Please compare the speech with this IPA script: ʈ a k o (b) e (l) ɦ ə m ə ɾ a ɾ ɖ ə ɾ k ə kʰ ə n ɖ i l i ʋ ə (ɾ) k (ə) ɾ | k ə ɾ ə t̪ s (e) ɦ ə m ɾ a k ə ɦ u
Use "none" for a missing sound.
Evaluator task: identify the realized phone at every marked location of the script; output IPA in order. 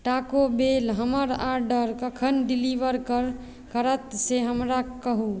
b, l, ɾ, ə, e

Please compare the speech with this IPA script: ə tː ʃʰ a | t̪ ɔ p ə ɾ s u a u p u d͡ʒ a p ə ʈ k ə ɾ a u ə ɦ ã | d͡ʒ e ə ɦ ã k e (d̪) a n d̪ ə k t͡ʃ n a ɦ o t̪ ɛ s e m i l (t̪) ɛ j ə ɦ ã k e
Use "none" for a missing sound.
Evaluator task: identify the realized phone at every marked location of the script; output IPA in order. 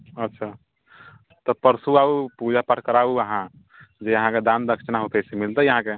d̪, t̪

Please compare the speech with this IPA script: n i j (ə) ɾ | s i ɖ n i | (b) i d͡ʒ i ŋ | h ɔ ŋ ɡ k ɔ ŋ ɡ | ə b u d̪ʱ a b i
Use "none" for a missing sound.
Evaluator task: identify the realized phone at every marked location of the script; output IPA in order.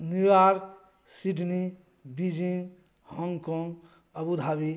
a, b

